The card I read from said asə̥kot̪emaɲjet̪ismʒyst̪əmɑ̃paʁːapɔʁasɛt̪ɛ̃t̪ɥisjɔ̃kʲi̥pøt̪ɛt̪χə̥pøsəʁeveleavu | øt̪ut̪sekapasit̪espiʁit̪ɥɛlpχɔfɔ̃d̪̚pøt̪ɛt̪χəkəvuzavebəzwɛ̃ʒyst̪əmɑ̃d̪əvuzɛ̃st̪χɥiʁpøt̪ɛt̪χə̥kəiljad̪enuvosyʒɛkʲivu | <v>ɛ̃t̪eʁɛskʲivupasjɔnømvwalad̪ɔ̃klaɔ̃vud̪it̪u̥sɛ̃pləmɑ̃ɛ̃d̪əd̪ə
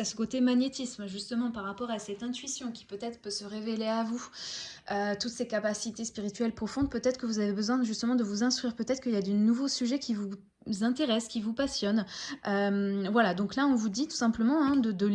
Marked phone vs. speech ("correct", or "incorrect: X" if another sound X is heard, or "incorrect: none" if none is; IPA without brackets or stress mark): incorrect: z